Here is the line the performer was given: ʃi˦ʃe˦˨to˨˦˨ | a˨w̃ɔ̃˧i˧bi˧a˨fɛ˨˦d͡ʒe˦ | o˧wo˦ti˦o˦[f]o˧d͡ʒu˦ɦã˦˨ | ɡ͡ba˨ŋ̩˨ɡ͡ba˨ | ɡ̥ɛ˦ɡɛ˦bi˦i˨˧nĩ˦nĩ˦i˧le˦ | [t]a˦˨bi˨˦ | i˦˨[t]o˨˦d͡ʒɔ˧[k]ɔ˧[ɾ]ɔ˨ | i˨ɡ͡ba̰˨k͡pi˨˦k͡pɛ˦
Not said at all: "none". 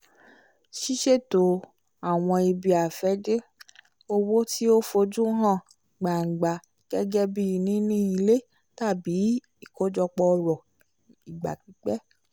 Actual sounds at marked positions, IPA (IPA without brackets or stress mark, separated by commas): f, t, k, k͡p, ɾ